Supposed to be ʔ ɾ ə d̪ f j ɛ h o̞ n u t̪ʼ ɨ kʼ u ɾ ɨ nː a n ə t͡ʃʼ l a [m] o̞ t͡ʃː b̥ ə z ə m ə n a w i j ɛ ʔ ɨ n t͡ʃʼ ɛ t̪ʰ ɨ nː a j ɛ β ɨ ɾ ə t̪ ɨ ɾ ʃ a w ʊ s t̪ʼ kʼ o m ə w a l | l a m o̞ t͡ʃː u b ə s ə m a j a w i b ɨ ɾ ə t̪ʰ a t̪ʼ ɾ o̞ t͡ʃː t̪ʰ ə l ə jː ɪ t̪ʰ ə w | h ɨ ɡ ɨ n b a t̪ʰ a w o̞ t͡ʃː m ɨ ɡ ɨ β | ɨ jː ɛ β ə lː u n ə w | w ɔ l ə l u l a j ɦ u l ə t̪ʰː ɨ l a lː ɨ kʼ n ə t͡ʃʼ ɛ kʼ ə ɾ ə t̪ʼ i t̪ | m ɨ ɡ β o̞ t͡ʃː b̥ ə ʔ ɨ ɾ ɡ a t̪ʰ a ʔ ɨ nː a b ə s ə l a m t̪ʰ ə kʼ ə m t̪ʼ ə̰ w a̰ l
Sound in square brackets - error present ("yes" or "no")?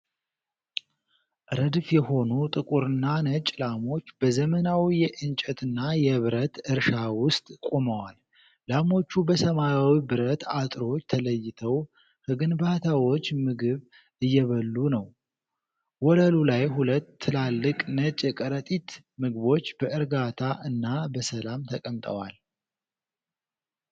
no